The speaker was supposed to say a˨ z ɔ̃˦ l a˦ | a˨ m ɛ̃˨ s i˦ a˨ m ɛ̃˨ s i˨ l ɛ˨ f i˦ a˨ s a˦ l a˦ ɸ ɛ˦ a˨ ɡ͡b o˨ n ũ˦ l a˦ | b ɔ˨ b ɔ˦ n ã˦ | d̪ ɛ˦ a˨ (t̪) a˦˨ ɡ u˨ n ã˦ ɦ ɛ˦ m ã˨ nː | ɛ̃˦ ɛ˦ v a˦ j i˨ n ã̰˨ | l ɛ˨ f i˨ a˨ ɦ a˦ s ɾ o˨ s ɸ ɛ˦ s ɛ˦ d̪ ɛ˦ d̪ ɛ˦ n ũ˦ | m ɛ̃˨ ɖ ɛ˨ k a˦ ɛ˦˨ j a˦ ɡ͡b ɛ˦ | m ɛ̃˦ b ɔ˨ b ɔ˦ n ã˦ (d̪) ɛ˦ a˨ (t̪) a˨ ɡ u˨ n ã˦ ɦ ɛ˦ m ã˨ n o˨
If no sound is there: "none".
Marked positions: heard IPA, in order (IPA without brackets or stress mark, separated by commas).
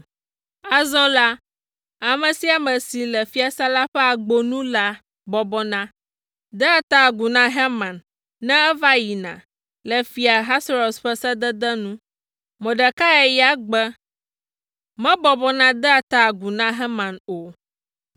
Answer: t̪, d̪, t̪